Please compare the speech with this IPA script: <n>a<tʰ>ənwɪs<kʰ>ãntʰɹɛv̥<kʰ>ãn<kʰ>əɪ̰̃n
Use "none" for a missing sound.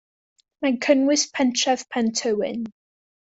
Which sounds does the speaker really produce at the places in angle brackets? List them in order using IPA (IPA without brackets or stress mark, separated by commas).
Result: m, kʰ, pʰ, pʰ, tʰ